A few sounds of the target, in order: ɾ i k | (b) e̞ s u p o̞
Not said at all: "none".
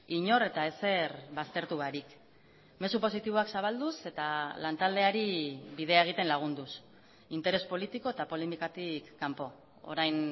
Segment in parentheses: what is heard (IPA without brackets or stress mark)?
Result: m